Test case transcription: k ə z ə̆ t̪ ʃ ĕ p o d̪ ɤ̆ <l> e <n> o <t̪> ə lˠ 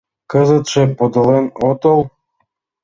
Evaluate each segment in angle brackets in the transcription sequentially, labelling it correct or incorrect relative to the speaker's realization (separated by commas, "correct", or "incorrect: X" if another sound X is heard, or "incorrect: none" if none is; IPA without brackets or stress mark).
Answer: correct, correct, correct